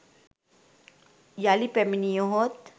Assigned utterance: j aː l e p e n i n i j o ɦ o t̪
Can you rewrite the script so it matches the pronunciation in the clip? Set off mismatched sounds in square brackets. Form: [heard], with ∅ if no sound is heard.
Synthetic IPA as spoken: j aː l [i] p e [m] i n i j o ɦ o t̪